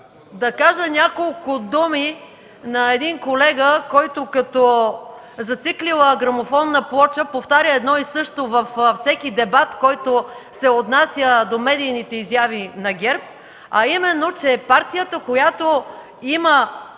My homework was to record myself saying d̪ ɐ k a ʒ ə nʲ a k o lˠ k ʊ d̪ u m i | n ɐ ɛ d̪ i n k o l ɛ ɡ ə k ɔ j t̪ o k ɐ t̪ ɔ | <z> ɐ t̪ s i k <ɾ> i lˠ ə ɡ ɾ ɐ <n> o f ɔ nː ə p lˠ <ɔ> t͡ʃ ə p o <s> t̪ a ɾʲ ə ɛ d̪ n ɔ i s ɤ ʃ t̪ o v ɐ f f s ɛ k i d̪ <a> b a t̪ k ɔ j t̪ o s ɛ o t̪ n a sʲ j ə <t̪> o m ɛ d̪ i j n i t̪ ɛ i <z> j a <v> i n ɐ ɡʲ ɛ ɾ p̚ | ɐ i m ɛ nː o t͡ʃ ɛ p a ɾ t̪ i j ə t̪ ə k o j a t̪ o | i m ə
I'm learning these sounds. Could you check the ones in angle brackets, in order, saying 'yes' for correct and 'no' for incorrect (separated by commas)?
yes, no, no, yes, no, no, no, yes, yes